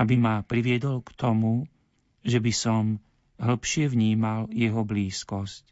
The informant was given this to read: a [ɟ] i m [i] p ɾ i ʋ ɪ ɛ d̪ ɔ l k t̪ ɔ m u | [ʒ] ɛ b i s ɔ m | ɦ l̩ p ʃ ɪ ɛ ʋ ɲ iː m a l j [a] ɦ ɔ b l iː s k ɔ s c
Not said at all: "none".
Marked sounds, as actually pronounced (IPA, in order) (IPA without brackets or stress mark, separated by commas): b, a, ʒ, ɛ